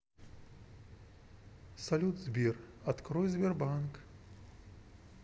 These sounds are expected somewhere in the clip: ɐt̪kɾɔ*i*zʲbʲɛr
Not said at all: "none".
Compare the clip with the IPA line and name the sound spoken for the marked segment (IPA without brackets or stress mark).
j